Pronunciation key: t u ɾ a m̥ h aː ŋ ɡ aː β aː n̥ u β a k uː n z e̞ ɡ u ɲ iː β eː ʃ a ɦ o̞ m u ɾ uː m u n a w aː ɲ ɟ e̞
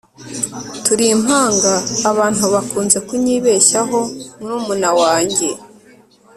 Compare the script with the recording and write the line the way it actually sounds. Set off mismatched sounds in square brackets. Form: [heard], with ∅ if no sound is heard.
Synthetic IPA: t u ɾ [i] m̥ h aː ŋ ɡ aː β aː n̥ u β a k uː n z e̞ [k] u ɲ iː β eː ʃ a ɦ o̞ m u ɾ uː m u n a w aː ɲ ɟ e̞